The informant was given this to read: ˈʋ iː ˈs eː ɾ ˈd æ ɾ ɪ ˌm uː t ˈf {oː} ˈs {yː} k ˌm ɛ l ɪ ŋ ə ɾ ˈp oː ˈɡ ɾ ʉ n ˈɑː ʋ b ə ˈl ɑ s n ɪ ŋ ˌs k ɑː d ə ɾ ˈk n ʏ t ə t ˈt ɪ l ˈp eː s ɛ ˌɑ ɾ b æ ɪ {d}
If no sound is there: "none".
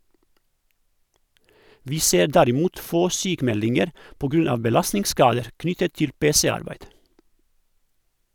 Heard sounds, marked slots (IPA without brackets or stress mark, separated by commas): oː, yː, d